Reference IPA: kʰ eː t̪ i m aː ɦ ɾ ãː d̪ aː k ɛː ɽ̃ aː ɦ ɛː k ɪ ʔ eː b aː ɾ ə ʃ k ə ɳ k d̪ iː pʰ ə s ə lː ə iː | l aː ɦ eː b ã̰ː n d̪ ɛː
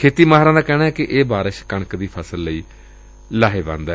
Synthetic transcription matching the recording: kʰ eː t̪ iː m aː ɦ ɾ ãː d̪ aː k ɛː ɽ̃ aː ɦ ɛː k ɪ ʔ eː b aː ɾ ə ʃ k ə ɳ k d̪ iː pʰ ə s ə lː ə iː | l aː ɦ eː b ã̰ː n d̪ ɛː